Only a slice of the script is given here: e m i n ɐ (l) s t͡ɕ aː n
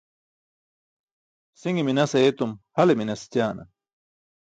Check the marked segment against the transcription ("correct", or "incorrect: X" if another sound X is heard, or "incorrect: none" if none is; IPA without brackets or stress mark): incorrect: none